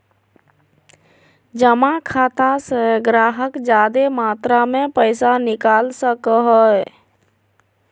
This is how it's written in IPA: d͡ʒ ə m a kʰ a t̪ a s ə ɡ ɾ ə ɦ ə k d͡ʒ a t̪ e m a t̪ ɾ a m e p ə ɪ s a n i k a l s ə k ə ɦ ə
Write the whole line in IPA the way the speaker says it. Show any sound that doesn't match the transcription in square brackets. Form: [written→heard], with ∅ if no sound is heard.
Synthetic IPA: d͡ʒ ə m a kʰ a t̪ a s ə ɡ ɾ [ə→a] ɦ ə k d͡ʒ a [t̪→d̪] e m a t̪ ɾ a m e p ə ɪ s a n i k a l s ə k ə ɦ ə